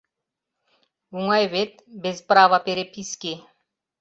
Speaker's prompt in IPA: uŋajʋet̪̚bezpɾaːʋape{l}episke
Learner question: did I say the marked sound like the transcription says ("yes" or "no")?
no